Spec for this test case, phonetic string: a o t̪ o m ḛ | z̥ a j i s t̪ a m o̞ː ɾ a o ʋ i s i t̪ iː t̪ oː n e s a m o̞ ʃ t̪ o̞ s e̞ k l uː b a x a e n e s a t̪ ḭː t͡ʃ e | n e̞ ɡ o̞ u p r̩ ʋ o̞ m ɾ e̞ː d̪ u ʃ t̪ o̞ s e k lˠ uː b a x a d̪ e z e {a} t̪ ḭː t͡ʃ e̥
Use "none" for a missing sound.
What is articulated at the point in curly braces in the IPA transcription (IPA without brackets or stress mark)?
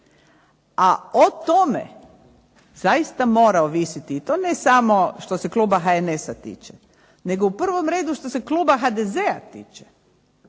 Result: a